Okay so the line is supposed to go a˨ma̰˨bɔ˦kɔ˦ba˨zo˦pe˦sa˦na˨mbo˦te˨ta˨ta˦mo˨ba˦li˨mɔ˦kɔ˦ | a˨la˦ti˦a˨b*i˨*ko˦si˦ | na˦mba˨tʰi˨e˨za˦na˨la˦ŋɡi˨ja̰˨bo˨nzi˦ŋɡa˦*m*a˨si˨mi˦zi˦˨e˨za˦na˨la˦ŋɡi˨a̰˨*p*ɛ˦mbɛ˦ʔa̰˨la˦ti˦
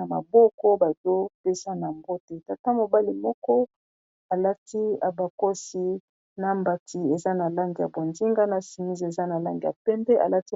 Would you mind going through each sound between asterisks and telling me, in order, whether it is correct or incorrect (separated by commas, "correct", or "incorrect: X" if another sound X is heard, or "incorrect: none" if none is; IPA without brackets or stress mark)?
incorrect: a˨, incorrect: n, correct